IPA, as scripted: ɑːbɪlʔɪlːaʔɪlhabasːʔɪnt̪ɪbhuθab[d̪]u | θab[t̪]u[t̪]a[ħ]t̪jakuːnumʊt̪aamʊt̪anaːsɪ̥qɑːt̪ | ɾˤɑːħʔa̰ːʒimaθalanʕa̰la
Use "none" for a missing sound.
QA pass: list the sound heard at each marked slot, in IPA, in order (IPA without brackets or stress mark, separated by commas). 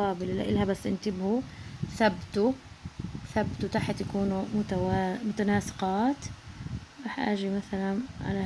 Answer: t̪, t̪, t̪, ħ